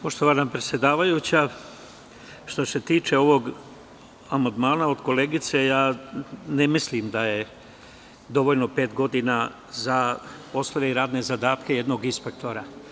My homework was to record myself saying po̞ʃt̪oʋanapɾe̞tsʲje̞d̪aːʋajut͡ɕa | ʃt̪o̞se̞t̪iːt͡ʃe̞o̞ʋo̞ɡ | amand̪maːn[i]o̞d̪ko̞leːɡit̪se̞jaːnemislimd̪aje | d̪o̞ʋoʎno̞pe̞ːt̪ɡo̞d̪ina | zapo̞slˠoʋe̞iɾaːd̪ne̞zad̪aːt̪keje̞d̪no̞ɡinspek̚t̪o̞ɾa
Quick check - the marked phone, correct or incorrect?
incorrect